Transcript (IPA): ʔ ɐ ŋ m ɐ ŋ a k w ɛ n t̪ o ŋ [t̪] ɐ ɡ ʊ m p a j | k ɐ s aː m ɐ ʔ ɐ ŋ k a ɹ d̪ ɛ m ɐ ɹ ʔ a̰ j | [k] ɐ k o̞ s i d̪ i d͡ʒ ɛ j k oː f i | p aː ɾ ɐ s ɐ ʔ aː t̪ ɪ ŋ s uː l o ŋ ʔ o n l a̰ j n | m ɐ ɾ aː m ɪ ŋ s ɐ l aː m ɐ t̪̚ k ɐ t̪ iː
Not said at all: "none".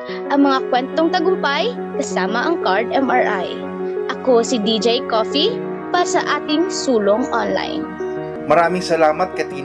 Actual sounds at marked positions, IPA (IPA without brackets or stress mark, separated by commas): t̪, ʔ